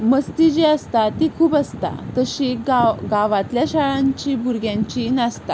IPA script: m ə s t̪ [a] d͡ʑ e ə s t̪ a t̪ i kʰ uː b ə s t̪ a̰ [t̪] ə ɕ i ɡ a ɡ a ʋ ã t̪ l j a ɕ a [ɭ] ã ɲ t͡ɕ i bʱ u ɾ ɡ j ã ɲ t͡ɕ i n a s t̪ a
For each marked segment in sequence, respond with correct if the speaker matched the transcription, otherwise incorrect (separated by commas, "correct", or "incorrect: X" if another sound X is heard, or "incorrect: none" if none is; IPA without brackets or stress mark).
incorrect: i, correct, correct